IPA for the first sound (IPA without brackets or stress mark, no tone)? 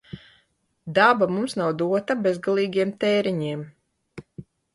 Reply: d̪